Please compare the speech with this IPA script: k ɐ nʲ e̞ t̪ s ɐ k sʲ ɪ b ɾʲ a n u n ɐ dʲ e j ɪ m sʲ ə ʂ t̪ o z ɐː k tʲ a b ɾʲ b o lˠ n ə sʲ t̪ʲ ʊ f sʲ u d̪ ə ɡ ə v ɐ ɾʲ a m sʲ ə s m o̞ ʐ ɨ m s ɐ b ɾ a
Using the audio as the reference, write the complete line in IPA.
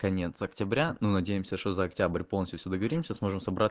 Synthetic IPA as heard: k ɐ nʲ e̞ t̪ s ɐ k tʲ ɪ b ɾʲ a n u n ɐ dʲ e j ɪ m sʲ ə ʂ t̪ o z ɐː k tʲ a b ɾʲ p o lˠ n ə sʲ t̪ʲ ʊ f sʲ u d̪ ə ɡ ə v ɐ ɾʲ i m sʲ ə s m o̞ ʐ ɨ m s ɐ b ɾ a